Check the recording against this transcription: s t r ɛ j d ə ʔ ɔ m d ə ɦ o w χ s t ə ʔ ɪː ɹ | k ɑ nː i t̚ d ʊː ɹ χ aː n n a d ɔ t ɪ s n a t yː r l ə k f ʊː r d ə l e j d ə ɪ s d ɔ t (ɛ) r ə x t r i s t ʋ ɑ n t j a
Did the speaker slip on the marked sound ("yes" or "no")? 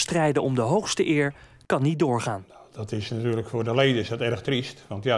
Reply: no